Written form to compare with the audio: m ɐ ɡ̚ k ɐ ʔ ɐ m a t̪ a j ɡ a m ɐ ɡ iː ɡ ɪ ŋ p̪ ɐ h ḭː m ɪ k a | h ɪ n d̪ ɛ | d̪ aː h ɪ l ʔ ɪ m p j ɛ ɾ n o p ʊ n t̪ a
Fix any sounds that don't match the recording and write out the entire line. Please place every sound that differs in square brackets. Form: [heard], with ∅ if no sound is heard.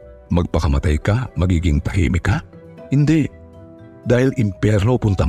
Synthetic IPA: m ɐ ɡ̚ [p] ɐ [k] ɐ m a t̪ a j [k] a m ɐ ɡ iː ɡ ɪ ŋ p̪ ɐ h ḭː m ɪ k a | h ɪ n d̪ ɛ | d̪ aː h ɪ l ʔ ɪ m p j ɛ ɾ n o p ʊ n t̪ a